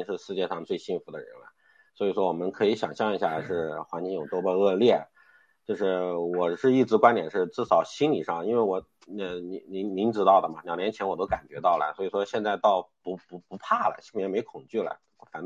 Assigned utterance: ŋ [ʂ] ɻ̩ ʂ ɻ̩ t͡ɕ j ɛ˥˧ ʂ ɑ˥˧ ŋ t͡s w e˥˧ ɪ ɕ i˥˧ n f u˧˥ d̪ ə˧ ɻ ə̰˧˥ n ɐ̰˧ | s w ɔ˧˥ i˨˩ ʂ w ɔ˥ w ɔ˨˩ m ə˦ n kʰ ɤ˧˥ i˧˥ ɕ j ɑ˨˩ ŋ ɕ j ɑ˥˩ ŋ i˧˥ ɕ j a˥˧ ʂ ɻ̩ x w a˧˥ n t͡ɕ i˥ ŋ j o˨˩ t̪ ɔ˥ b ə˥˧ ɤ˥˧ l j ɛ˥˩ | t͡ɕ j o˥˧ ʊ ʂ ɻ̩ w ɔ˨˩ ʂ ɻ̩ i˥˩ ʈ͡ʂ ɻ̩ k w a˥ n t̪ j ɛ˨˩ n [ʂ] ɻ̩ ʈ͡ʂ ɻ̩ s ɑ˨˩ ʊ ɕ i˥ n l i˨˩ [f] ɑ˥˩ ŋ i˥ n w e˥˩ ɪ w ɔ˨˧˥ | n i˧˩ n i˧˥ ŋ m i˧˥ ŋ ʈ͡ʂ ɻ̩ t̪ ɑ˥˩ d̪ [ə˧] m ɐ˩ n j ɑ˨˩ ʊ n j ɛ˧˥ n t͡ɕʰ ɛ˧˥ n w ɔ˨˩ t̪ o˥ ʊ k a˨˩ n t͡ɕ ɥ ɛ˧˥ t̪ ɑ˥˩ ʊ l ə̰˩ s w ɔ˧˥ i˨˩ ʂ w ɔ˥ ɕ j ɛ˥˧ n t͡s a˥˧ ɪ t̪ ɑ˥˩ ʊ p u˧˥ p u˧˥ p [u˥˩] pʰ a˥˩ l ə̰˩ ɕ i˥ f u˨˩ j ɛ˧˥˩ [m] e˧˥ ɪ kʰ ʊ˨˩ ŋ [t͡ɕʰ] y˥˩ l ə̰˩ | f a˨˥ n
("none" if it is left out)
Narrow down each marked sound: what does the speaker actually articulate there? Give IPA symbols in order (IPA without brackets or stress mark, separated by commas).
ʂ, ʂ, ʂ, ə˩, u˧˥, m, t͡ɕ